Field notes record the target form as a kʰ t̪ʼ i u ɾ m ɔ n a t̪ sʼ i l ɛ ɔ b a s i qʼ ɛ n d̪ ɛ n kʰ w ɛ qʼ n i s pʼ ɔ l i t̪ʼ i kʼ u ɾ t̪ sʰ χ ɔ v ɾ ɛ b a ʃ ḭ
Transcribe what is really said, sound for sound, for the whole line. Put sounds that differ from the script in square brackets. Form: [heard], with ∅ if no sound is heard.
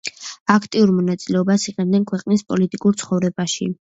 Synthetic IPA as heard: a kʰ t̪ʼ i u ɾ m ɔ n a t̪ sʼ i l ɛ ɔ b a s i qʼ ɛ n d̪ ɛ n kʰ w ɛ qʼ n i s pʼ ɔ l i t̪ʼ i kʼ u ɾ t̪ sʰ χ ɔ v ɾ ɛ b a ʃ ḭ